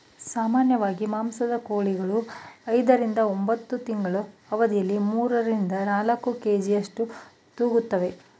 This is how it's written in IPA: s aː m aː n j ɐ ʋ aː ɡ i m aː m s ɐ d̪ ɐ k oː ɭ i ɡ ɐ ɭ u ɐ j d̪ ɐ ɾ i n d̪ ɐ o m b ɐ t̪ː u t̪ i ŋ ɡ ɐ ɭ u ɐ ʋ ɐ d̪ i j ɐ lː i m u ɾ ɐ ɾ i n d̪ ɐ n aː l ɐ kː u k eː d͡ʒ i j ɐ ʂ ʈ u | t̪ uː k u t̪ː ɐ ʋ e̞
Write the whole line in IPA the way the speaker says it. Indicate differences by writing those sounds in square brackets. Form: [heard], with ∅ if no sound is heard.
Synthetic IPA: s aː m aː n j ɐ ʋ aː ɡ i m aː m s ɐ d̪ ɐ k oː ɭ i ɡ ɐ ɭ u ɐ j d̪ ɐ ɾ i n d̪ ɐ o m b ɐ t̪ː u t̪ i ŋ ɡ ɐ ɭ u ɐ ʋ ɐ d̪ i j ɐ lː i m [uː] ɾ ɐ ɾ i n d̪ ɐ n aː l ɐ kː u k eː d͡ʒ i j ɐ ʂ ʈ u | t̪ uː [ɡ] u t̪ː ɐ ʋ e̞